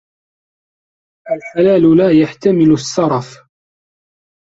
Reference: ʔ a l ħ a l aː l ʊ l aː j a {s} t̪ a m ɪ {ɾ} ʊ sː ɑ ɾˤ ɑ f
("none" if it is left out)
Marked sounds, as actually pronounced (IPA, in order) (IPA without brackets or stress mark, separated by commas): ħ, l